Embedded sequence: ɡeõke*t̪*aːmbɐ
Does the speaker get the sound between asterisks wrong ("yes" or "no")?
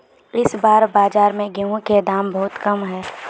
yes